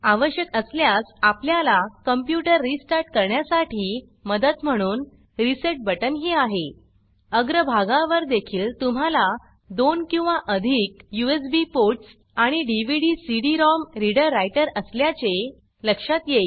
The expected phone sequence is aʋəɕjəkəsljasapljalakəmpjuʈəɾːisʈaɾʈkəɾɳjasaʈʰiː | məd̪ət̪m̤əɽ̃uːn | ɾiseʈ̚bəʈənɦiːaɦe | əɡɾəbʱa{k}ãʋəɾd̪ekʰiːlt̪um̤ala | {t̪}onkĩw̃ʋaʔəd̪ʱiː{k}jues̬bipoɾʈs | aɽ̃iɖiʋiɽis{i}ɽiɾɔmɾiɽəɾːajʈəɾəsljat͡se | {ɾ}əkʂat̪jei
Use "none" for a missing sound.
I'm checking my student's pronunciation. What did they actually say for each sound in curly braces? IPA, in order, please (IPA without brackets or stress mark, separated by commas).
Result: ɡ, d̪, k, i, l